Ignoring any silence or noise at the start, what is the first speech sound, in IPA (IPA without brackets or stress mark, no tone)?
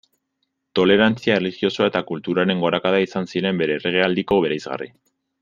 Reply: t̪